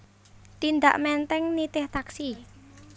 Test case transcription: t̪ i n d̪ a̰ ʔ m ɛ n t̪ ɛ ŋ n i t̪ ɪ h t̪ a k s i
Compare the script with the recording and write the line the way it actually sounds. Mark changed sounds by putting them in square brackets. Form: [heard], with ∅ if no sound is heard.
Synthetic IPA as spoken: t̪ i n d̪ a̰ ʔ m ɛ n t̪ ɛ ŋ n i t̪ ɪ h t̪ a k s i